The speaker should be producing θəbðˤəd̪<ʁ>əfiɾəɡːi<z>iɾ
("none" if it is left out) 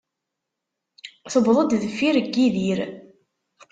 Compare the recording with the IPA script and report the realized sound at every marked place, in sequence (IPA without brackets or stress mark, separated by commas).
ð, ð